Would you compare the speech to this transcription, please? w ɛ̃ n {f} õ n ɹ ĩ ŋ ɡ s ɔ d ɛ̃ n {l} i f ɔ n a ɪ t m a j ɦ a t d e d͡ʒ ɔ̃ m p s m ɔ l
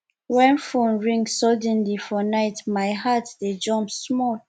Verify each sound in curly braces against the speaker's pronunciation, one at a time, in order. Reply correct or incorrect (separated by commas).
correct, correct